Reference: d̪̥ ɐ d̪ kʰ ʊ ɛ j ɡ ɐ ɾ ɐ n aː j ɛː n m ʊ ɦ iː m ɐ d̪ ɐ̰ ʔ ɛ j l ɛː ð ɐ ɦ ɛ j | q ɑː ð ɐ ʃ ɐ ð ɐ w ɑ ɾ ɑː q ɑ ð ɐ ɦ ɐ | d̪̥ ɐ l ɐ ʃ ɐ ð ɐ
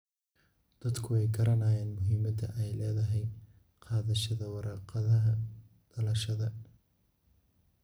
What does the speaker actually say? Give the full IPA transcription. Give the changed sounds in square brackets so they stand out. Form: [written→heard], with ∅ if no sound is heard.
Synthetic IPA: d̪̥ ɐ d̪ kʰ ʊ ɛ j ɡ ɐ ɾ ɐ n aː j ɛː n m ʊ ɦ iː m ɐ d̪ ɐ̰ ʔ ɛ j l ɛː ð ɐ ɦ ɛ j | q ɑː ð ɐ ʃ ɐ ð ɐ w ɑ ɾ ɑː q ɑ ð ɐ ɦ ɐ | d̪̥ ɐ l ɐ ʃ ɐ ð ɐ